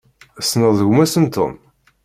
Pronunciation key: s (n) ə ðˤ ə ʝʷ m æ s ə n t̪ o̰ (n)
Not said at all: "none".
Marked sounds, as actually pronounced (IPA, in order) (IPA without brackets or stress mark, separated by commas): n, m